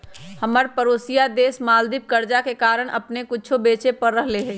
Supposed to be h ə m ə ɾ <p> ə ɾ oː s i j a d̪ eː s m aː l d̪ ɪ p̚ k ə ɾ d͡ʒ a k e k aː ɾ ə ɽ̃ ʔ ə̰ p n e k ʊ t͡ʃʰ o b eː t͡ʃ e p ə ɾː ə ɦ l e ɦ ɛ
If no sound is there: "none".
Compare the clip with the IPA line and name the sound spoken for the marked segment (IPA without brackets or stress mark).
p